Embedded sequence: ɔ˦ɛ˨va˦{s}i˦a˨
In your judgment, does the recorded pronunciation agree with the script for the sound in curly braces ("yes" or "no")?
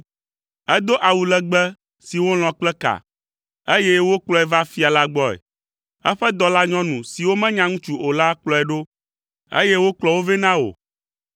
no